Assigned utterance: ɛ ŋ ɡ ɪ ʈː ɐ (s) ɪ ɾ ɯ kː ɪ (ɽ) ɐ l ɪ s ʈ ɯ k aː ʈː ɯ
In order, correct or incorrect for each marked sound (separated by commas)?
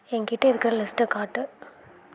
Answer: incorrect, incorrect